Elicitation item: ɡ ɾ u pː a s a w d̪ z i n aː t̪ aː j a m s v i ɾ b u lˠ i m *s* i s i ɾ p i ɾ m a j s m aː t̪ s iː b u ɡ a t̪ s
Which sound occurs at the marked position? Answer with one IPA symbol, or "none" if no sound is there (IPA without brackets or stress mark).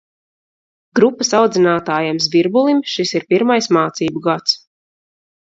ʃ